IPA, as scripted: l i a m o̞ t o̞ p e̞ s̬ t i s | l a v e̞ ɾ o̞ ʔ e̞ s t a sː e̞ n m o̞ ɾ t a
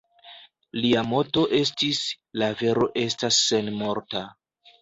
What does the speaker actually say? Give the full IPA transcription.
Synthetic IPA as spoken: l i a m o̞ t o̞ ʔ e̞ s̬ t i s | l a v e̞ ɾ o̞ ʔ e̞ s t a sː e̞ n m o̞ ɾ t a